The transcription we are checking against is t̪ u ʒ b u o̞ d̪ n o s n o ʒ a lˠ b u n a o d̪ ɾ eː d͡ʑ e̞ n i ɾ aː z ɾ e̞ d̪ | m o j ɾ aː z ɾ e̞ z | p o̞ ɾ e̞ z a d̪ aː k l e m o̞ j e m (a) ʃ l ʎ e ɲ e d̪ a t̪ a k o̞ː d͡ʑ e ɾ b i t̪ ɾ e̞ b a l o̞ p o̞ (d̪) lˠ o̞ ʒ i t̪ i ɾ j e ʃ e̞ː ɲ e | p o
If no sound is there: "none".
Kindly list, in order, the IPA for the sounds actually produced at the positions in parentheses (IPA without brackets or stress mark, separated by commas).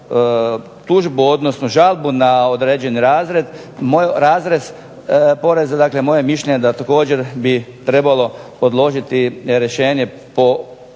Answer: i, d̪